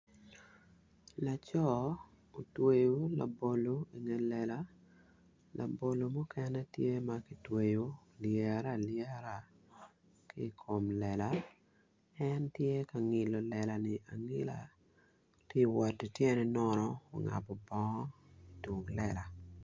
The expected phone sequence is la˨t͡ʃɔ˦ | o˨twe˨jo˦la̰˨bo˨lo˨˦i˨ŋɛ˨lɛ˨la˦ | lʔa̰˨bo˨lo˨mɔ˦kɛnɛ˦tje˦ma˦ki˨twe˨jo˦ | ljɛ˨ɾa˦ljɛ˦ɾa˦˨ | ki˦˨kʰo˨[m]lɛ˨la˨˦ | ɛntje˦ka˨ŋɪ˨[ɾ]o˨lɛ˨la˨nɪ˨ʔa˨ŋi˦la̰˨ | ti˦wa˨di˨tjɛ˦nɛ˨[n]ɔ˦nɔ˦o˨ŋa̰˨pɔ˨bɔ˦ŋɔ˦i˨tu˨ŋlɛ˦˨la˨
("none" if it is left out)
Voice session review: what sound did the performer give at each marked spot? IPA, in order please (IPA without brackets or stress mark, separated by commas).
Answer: m, l, n